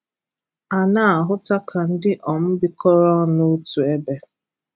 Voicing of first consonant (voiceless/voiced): voiced